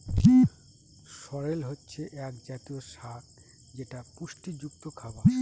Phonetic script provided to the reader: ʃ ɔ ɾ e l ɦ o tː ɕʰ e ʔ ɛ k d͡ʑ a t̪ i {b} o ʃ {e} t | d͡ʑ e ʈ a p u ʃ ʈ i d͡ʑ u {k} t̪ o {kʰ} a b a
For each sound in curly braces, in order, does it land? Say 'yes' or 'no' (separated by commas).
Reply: no, no, yes, yes